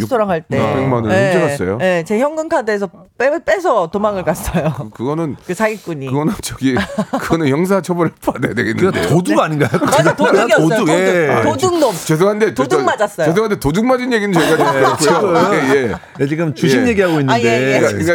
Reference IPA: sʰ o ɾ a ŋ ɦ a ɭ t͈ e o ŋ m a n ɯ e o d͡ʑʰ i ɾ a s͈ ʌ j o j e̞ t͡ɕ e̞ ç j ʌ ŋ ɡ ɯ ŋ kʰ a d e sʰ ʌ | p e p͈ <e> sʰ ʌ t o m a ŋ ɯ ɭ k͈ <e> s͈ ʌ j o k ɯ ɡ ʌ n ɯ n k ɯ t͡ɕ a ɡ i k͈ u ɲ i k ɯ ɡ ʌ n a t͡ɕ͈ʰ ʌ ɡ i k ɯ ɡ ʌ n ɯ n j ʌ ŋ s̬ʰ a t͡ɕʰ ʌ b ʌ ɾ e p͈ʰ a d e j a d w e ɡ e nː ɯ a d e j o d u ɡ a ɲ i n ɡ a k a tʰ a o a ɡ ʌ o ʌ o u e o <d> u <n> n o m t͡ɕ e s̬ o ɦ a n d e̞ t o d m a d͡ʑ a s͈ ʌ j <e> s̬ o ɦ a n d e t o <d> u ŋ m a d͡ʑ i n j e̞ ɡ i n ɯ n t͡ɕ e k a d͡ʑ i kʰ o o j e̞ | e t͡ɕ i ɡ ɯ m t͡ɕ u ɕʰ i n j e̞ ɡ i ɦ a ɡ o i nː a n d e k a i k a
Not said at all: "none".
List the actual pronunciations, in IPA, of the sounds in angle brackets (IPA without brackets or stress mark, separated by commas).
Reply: e, a, d, ŋ, e, d